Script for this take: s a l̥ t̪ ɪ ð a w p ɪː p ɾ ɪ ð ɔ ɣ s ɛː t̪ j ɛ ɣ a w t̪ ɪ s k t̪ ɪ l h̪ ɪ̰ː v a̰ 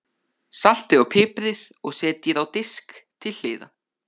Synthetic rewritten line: s a l̥ t̪ ɪ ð a w pʰ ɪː p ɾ ɪ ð ɔ ɣ s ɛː t̪ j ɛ ð a w t̪ ɪ s k t̪ʰ ɪ l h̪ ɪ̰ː ð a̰